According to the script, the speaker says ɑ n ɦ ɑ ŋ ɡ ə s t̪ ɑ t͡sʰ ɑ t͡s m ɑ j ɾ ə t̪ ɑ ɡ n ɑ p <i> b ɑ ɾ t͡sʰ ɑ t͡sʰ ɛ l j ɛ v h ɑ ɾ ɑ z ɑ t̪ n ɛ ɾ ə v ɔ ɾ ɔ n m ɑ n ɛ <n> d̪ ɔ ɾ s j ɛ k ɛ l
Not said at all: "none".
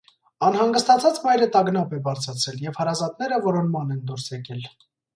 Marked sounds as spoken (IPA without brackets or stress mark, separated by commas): ɛ, n